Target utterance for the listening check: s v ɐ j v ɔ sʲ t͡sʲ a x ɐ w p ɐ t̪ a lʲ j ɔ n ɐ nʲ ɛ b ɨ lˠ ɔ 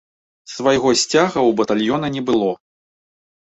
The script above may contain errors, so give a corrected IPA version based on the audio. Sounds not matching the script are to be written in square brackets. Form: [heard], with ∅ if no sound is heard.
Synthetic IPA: s v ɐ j [ɣ] ɔ sʲ t͡sʲ a [ɣ] ɐ w [b] ɐ t̪ a lʲ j ɔ n ɐ nʲ ɛ b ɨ lˠ ɔ